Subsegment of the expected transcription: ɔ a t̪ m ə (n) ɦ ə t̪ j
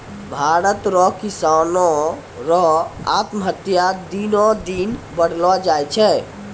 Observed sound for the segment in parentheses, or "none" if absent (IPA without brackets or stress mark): none